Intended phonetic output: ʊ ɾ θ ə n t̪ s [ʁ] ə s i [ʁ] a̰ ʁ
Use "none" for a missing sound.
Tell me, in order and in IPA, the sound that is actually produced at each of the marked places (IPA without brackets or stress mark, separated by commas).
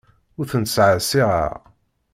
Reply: ʕ, ʁ